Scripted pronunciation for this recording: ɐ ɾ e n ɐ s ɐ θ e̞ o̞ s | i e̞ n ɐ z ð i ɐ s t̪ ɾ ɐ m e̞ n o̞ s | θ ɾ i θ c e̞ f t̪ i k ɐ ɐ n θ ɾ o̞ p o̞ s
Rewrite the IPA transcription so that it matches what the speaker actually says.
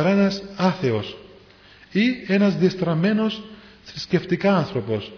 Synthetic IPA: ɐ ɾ e n ɐ s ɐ θ e̞ o̞ s | i e̞ n ɐ z ð i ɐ s t̪ ɾ ɐ m e̞ n o̞ s | θ ɾ i s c e̞ f t̪ i k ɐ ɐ n θ ɾ o̞ p o̞ s